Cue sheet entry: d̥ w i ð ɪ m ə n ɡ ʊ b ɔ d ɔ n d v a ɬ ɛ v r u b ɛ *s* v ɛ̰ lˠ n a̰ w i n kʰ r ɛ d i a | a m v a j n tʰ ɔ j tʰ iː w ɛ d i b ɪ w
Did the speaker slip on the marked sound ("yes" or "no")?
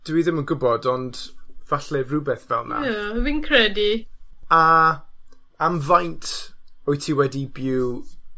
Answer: yes